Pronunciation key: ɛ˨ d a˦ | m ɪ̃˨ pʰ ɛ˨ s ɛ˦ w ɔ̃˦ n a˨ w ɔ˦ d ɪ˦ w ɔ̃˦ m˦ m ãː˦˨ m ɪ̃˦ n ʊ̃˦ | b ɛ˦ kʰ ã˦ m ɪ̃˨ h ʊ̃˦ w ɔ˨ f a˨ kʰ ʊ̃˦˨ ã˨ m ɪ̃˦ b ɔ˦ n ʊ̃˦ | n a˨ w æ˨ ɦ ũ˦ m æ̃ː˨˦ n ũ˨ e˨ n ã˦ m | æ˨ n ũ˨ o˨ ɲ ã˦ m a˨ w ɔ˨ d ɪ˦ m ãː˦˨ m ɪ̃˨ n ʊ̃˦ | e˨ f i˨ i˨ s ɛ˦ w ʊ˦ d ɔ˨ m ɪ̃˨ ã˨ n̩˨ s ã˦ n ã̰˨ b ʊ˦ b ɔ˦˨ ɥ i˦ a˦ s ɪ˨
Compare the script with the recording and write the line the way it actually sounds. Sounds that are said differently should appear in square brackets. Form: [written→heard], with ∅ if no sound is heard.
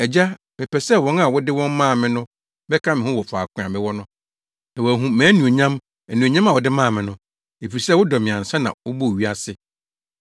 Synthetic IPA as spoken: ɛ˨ [d→d͡ʑ] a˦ | m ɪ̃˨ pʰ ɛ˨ s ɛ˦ w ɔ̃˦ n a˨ w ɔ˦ d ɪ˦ w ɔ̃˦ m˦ m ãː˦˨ m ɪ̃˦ n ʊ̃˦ | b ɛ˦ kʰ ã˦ m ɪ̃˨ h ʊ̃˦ w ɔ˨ f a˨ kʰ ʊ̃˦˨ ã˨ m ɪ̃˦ [b→w] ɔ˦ n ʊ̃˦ | n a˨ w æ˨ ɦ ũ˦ m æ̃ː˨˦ n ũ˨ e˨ [n→ɲ] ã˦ m | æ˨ n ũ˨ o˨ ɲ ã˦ m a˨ w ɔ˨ d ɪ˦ m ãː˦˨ m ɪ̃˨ n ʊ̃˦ | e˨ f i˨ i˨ s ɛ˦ w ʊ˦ d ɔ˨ m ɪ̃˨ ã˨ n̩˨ s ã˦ n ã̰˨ [b→w] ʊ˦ b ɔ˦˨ ɥ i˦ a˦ s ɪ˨